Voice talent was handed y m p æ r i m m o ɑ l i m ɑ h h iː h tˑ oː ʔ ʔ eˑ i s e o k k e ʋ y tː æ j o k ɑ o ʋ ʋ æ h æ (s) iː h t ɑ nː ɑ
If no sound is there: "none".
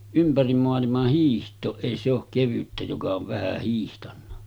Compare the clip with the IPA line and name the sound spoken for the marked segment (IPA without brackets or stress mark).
h